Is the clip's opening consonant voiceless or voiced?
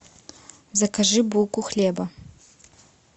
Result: voiced